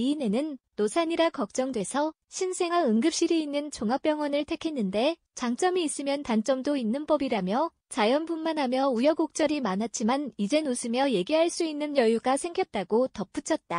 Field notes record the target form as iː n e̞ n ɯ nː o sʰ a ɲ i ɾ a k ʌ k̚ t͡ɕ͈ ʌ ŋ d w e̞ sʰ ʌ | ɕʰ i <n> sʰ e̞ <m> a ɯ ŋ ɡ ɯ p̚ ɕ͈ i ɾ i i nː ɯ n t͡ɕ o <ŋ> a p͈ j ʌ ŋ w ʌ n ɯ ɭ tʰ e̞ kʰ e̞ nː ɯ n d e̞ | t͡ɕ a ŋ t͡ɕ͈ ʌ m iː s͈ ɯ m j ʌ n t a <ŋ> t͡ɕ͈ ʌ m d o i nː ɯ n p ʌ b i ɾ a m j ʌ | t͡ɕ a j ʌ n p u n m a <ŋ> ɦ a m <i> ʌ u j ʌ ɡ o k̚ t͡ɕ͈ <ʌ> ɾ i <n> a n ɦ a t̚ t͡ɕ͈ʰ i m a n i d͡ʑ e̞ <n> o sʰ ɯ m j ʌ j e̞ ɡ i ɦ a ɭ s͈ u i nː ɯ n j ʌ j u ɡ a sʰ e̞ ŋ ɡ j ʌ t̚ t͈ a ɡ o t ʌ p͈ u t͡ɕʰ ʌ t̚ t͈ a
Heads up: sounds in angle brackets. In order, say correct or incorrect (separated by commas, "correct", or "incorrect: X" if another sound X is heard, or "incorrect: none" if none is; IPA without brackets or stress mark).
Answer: correct, incorrect: ŋ, correct, incorrect: n, incorrect: n, incorrect: j, correct, incorrect: m, correct